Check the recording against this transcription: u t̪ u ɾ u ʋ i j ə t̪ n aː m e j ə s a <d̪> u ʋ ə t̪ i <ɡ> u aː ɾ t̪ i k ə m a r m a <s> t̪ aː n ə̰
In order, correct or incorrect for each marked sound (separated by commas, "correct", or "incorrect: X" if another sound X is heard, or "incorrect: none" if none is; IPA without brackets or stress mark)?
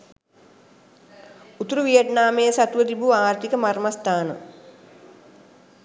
incorrect: t̪, incorrect: b, correct